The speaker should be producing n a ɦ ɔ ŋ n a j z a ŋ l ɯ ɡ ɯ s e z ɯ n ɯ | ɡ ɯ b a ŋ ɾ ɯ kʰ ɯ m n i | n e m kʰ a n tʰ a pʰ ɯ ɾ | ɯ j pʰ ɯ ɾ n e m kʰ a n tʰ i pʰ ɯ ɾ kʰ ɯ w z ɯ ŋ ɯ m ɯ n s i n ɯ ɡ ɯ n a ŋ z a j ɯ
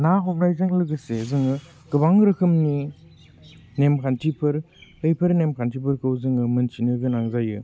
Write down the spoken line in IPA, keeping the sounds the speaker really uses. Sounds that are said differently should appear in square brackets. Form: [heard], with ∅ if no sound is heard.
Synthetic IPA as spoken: n a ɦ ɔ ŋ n a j z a ŋ l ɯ ɡ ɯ s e z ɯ [ŋ] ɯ | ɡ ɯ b a ŋ ɾ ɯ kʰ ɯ m n i | n e m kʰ a n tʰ [i] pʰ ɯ ɾ | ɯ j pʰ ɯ ɾ n e m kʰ a n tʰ i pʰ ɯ ɾ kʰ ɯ w z ɯ ŋ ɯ m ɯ n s i n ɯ ɡ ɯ n a ŋ z a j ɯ